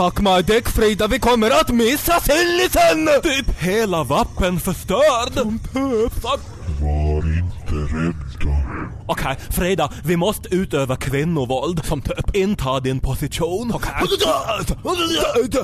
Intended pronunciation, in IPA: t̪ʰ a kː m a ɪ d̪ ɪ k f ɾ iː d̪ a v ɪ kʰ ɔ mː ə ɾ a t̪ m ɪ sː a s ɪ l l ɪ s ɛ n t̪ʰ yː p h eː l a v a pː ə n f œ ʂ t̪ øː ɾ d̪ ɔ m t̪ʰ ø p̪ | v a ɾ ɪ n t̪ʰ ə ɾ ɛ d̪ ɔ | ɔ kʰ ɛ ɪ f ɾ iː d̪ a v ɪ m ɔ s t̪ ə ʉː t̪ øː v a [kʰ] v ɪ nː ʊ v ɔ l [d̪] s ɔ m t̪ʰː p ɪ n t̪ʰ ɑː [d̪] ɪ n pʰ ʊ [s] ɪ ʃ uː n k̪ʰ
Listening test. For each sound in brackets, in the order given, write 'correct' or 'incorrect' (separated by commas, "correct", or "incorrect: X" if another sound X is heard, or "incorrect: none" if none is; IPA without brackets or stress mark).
correct, correct, correct, correct